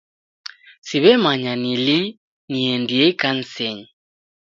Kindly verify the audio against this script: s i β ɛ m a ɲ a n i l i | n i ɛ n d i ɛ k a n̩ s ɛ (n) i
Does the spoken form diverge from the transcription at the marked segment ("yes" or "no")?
yes